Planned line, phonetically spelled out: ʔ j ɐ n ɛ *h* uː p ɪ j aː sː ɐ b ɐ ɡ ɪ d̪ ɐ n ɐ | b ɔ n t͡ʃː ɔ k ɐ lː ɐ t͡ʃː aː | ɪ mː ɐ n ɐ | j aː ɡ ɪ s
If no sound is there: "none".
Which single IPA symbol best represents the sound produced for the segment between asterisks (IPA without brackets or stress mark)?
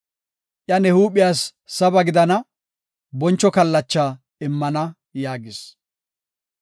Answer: h